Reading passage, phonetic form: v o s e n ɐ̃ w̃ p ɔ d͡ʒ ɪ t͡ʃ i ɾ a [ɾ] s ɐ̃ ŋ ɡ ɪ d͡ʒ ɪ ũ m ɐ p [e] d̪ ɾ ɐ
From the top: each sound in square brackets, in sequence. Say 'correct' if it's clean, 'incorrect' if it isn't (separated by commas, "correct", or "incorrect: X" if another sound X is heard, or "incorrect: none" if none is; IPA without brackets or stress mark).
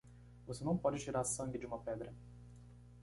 correct, incorrect: ɛ